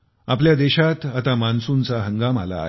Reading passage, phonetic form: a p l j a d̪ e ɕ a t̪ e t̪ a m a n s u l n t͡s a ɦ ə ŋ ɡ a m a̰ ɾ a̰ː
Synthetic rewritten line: a p l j a d̪ e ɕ a t̪ a t̪ a m a n s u n t͡s a ɦ ə ŋ ɡ a m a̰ l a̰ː

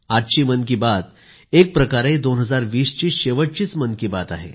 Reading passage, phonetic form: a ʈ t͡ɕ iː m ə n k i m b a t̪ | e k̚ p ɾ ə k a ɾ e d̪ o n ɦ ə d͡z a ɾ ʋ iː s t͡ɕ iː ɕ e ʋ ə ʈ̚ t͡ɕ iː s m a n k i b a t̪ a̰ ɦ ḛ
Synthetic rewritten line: a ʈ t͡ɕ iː m ə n k i b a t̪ | e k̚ p ɾ ə k a ɾ e d̪ o n ɦ ə d͡z a ɾ ʋ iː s t͡ɕ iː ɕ e ʋ ə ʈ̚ t͡ɕ iː t͡s m ə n k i b a t̪ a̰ ɦ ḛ

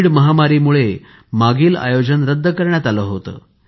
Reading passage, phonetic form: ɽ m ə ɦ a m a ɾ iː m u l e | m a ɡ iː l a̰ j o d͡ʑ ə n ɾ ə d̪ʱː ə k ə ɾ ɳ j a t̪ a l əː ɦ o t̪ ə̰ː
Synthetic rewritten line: ɽ m ə ɦ a m a ɾ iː m u ɭ e | m a ɡ iː l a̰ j o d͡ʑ ə n ɾ ə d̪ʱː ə k ə ɾ ɳ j a t̪ a l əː ɦ o t̪ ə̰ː

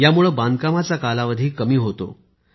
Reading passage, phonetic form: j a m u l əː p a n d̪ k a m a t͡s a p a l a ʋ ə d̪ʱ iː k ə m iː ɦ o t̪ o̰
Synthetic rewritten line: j a m u ɭ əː b a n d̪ k a m a t͡s a k a l a ʋ ə d̪ʱ iː k ə m iː ɦ o t̪ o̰

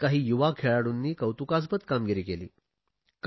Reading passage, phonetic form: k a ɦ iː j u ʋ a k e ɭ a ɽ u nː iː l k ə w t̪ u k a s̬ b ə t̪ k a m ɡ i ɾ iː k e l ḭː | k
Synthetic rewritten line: k a ɦ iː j u ʋ a kʰ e ɭ a ɽ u nː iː k ə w t̪ u k a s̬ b ə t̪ k a m ɡ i ɾ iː k e l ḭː | k

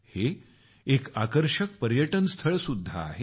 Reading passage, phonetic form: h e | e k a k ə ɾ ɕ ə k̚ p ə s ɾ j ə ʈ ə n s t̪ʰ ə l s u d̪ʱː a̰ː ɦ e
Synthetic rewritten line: h e | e k a k ə ɾ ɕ ə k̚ p ə ɾ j ə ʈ ə n s t̪ʰ ə ɭ s u d̪ʱː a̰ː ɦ e

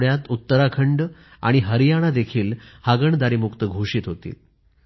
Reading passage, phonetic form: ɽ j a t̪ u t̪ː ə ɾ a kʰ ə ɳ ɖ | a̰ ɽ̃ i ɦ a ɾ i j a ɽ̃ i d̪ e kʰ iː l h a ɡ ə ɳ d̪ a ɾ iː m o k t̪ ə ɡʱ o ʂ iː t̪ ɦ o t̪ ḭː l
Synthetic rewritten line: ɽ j a t̪ u t̪ː ə ɾ a kʰ ə ɳ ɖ | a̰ ɽ̃ i ɦ ə ɾ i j a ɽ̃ a d̪ e kʰ iː l h a ɡ ə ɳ d̪ a ɾ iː m u k t̪ ə ɡʱ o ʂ iː t̪ ɦ o t̪ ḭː l

